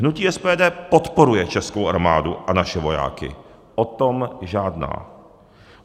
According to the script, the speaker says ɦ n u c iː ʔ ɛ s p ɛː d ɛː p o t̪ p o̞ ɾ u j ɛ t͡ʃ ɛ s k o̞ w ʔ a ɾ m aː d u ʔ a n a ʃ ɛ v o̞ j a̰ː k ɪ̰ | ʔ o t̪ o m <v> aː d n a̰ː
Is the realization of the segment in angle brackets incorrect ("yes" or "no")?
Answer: yes